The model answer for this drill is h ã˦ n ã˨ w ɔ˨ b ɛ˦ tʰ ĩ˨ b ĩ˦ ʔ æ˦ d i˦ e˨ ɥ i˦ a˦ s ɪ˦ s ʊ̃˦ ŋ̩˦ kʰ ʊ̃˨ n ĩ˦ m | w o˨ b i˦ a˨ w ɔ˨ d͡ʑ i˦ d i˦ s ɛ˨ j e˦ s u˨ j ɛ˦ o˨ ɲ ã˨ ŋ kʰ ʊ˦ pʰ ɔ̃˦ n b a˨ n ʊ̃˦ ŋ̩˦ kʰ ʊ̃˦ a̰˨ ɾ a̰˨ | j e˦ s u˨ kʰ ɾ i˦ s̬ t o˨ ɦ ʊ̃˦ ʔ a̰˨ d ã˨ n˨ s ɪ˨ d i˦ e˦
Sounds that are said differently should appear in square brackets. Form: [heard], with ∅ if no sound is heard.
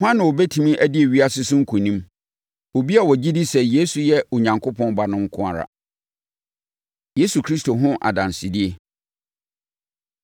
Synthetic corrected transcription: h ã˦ n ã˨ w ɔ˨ b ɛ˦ tʰ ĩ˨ [m] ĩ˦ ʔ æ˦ d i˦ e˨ ɥ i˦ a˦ s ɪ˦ s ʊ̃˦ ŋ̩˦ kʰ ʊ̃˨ n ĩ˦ m | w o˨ b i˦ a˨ w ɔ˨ d͡ʑ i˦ d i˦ s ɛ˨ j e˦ s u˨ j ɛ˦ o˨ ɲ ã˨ ŋ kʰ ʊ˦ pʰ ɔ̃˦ n b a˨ n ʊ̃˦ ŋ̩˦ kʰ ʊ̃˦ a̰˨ ɾ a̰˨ | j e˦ s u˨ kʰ ɾ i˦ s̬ t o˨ ɦ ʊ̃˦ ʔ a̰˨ d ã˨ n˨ s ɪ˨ d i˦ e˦